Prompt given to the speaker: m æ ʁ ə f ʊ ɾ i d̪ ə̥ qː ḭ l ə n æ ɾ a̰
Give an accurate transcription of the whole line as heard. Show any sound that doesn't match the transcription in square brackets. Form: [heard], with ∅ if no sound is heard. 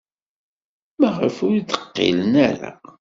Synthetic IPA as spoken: m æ ʁ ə f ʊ ɾ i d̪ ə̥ qː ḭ l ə n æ ɾ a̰